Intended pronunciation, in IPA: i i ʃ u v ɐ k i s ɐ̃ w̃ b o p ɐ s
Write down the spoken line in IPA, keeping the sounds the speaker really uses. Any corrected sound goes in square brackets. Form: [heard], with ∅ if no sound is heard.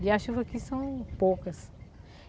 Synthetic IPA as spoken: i [a] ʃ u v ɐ k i s ɐ̃ w̃ [p] o [k] ɐ s